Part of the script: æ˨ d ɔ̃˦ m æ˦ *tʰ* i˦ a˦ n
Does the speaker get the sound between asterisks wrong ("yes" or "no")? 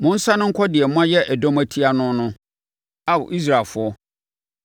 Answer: no